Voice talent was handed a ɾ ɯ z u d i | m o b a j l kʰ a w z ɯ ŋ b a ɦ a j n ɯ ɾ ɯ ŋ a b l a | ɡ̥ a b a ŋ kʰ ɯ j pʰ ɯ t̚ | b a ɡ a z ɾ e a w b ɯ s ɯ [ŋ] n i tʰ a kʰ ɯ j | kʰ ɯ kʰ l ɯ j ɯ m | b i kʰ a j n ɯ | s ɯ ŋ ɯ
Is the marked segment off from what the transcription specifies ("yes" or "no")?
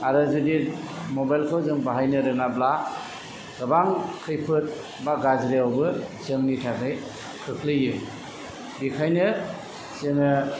no